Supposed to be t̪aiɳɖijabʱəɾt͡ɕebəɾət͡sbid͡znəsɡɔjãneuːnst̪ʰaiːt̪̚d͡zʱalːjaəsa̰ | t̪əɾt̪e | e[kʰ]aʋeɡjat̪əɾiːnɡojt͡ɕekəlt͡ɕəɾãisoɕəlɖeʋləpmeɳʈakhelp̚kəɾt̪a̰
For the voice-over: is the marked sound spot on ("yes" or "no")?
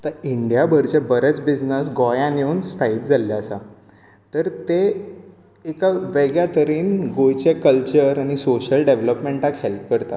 no